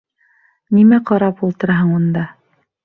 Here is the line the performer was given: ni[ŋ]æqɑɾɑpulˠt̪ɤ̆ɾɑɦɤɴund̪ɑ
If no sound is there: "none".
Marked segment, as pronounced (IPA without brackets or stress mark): m